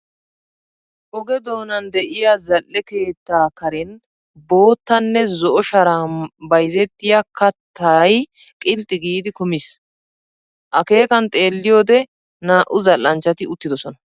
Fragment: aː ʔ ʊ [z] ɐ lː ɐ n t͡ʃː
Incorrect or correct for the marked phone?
correct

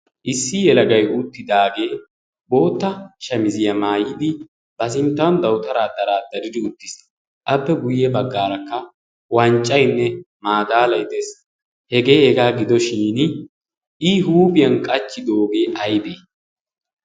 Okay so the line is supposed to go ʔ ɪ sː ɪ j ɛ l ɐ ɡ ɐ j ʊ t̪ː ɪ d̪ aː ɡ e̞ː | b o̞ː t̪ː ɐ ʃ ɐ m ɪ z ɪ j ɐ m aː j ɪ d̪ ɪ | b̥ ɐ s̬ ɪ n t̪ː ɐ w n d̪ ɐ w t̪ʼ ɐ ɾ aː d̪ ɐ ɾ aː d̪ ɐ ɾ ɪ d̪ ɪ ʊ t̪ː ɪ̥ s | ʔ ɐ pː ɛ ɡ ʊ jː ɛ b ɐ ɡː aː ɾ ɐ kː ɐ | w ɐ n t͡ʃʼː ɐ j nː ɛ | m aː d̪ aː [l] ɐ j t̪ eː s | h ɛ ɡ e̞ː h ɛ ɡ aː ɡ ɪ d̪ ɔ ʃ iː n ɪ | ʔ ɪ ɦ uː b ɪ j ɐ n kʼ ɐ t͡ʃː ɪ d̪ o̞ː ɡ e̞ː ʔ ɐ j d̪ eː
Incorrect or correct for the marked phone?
correct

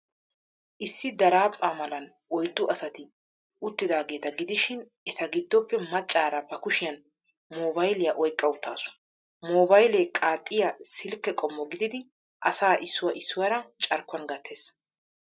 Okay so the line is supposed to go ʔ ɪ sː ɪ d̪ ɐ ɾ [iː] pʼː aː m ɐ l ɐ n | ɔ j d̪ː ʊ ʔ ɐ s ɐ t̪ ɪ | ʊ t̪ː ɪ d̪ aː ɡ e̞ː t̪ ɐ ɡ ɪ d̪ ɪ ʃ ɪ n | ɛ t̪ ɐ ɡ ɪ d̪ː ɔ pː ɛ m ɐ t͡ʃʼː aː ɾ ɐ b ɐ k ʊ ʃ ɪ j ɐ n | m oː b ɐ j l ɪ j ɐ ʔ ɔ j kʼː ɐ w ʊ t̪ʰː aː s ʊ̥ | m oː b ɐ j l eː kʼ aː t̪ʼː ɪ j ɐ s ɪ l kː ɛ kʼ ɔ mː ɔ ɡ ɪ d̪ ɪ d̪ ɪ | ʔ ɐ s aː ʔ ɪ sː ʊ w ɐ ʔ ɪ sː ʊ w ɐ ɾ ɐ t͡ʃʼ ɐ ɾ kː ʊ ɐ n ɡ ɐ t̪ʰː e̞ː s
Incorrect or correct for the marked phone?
incorrect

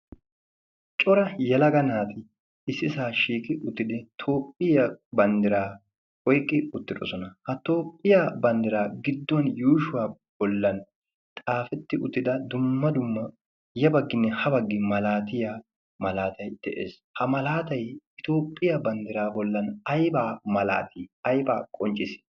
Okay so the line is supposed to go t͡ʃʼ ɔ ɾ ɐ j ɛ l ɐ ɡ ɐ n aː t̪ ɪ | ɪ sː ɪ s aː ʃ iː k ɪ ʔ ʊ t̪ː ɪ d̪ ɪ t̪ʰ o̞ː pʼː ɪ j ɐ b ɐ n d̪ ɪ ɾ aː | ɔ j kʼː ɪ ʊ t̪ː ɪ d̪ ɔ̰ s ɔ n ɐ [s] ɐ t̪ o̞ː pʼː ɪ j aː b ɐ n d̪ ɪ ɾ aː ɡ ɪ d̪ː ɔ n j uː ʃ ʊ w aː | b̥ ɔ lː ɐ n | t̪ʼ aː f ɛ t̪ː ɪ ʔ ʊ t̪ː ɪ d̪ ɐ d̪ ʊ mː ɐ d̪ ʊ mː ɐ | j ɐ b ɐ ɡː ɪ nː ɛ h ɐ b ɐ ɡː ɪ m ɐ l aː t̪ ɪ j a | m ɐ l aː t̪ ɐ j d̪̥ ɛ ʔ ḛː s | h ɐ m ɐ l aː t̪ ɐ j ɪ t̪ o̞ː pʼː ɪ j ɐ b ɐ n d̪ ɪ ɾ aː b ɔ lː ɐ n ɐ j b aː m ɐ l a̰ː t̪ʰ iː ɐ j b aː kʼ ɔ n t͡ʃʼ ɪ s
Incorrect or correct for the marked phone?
incorrect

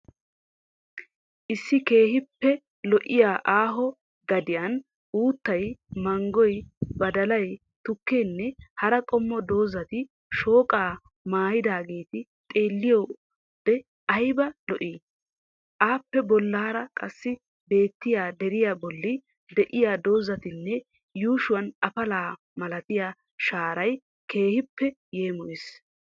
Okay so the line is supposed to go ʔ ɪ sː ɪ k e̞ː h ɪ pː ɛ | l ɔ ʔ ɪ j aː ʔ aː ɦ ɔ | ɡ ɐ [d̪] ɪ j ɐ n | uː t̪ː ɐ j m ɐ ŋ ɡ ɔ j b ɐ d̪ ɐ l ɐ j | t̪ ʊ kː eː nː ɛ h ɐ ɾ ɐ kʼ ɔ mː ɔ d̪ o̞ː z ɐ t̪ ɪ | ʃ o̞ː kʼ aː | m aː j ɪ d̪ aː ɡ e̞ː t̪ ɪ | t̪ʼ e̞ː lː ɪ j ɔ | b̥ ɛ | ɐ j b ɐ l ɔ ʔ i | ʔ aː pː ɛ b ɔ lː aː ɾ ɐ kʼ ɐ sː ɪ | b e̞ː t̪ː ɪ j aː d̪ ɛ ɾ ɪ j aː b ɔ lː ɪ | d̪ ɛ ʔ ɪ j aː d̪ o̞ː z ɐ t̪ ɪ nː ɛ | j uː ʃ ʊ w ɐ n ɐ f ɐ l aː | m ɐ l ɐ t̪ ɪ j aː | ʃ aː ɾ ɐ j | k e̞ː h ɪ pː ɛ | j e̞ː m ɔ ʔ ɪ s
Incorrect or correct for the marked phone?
correct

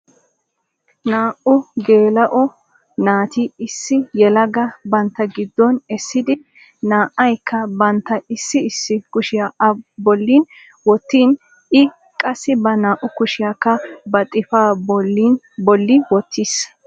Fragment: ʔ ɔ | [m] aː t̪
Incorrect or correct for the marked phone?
incorrect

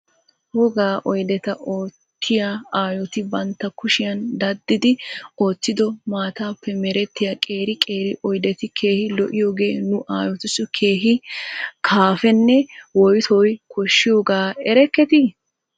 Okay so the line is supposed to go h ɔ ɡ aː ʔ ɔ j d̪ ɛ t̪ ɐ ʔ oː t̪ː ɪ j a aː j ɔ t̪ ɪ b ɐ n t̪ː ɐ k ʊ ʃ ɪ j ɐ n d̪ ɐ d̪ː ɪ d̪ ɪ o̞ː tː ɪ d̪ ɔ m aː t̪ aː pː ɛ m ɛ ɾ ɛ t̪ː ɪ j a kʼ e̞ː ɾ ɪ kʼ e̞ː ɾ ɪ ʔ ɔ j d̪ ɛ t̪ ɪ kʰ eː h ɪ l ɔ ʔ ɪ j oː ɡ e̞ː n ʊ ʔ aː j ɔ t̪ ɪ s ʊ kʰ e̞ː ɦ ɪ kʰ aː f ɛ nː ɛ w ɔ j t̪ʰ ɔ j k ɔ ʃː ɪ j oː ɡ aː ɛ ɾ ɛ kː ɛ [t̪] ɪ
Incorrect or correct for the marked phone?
correct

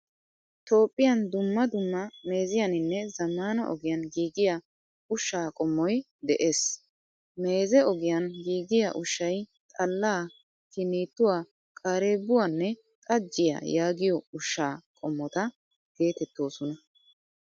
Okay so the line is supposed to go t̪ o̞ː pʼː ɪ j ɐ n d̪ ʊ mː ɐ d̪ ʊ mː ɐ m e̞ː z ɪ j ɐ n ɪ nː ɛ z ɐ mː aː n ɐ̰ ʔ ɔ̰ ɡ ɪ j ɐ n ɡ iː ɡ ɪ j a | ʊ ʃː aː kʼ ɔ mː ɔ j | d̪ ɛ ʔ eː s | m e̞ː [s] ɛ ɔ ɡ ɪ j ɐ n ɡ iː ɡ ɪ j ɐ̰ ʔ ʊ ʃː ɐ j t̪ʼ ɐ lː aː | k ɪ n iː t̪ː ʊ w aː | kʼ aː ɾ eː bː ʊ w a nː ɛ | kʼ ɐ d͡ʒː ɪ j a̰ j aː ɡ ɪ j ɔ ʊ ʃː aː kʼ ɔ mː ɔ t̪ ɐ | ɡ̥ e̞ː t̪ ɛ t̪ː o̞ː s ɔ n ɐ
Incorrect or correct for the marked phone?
incorrect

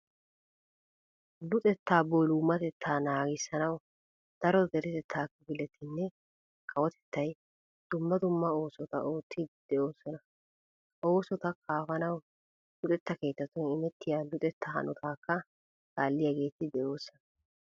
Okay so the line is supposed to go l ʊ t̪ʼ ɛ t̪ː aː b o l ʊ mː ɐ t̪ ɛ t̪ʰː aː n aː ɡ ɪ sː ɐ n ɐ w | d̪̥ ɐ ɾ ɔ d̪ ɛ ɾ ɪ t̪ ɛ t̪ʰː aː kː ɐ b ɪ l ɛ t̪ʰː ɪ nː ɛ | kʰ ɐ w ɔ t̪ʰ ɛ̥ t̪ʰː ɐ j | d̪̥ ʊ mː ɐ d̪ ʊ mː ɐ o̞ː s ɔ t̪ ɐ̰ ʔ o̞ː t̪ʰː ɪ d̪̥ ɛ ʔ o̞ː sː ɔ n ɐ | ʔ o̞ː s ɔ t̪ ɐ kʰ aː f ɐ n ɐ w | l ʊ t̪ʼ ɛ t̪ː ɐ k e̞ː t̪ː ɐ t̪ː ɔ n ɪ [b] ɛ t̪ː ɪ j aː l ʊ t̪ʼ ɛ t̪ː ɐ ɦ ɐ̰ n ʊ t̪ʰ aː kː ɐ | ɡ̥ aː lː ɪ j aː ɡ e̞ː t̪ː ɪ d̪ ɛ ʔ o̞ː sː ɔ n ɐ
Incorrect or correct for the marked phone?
incorrect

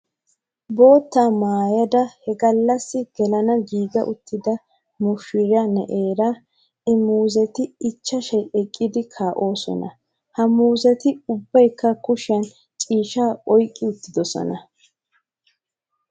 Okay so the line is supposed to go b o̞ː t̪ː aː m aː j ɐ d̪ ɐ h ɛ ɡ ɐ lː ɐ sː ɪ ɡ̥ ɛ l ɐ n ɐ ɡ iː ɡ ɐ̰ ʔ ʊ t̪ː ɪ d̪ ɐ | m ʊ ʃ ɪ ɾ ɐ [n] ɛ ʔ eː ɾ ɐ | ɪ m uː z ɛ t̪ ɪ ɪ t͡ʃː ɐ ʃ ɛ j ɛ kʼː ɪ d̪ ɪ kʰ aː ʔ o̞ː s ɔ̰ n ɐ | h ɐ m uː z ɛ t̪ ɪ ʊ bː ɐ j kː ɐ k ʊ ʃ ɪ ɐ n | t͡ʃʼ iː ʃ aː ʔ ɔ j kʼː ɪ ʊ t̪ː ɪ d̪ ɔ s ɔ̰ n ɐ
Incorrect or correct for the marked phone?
correct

